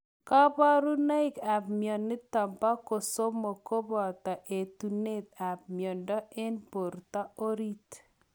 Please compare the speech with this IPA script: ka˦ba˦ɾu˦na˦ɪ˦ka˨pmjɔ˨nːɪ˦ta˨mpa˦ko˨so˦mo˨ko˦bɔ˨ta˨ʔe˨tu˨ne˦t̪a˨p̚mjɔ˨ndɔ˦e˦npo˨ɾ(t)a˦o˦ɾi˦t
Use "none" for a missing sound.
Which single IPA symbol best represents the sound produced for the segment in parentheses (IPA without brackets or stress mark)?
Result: t